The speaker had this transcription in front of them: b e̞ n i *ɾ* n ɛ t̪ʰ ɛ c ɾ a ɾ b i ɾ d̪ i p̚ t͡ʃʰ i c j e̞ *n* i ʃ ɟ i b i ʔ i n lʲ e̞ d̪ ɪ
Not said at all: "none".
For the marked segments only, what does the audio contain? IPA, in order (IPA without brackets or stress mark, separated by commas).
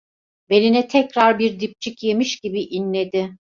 none, m